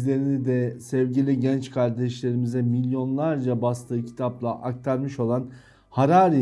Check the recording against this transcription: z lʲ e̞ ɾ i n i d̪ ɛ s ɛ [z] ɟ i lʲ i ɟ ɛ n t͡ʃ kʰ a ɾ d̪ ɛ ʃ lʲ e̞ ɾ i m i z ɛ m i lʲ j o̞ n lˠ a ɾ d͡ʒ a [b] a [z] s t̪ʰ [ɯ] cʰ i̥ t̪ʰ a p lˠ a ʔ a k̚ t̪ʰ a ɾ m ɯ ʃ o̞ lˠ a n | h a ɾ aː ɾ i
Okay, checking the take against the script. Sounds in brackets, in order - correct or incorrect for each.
incorrect, correct, incorrect, incorrect

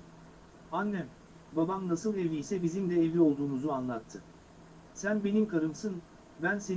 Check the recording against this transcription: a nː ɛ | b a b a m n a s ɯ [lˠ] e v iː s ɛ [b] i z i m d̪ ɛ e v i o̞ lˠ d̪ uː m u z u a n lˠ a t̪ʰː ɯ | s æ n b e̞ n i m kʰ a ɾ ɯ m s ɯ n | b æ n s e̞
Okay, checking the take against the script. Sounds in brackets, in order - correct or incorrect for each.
correct, correct

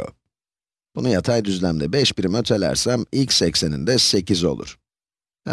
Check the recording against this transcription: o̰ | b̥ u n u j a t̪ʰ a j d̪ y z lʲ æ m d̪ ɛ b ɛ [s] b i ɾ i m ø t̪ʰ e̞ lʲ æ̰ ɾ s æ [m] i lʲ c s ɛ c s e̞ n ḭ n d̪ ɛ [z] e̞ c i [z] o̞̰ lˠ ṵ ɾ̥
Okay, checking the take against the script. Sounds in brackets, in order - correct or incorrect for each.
incorrect, correct, incorrect, correct

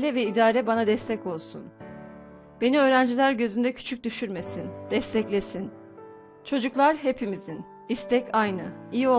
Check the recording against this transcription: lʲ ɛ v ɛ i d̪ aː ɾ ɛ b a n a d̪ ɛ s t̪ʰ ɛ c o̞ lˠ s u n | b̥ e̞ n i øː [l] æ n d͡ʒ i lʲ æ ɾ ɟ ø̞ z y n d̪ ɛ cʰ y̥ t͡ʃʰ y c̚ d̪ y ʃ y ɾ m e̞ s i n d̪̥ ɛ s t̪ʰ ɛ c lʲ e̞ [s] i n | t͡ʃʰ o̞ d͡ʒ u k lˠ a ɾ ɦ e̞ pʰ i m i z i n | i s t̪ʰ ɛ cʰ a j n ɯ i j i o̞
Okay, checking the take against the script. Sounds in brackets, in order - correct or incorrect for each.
incorrect, correct

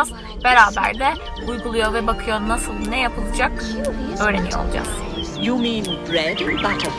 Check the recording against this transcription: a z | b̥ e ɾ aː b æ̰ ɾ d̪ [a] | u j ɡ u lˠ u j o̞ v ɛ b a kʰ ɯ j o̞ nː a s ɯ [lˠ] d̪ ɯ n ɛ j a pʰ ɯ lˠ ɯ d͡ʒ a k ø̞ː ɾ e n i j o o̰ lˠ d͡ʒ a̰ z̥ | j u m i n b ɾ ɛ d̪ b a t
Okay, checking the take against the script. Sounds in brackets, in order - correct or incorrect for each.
incorrect, correct

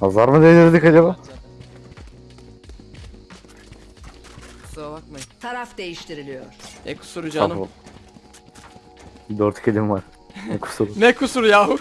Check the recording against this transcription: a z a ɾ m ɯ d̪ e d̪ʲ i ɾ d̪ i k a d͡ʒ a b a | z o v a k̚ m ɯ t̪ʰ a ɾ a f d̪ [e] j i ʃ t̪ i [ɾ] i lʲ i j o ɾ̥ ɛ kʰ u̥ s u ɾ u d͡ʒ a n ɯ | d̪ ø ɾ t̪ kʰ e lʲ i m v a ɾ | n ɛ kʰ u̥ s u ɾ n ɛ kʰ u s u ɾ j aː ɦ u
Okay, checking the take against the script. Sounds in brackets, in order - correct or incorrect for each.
correct, correct

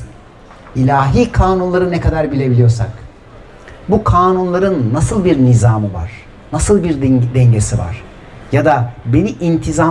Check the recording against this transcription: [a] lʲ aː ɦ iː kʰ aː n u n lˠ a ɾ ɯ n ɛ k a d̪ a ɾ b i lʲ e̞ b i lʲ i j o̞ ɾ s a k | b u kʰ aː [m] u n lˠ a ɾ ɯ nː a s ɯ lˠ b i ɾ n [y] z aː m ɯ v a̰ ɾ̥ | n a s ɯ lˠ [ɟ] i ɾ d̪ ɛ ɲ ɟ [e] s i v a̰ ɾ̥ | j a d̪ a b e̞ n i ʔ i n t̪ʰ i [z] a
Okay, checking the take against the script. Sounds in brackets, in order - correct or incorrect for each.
incorrect, incorrect, incorrect, incorrect, correct, correct

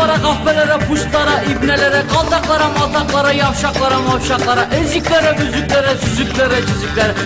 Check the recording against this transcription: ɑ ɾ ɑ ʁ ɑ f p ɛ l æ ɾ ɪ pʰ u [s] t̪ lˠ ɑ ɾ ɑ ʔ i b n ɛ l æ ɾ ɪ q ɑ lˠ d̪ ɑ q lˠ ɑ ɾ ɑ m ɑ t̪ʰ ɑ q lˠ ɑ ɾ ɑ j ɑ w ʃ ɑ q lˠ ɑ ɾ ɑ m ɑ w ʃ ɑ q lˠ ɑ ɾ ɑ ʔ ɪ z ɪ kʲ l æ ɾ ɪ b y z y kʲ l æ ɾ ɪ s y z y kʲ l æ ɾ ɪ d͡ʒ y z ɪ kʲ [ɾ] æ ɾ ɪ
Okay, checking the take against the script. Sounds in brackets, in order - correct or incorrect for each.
incorrect, incorrect

